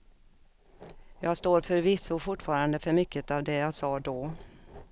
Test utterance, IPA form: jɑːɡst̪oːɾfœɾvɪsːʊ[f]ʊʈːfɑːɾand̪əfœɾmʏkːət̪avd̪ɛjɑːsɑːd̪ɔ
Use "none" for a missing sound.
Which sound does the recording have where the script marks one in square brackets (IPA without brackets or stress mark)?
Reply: f